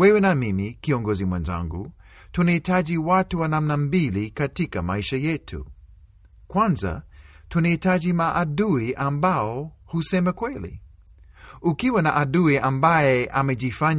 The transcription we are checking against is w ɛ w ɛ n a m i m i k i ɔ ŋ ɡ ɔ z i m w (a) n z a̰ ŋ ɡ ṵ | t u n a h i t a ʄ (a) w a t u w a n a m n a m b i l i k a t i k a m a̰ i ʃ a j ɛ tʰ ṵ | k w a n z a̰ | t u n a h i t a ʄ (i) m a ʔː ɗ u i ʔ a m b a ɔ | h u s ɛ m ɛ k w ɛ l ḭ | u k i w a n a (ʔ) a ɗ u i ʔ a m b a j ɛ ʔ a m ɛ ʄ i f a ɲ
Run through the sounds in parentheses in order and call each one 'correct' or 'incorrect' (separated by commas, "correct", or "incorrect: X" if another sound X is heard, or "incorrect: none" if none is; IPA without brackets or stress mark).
incorrect: ɛ, incorrect: i, correct, correct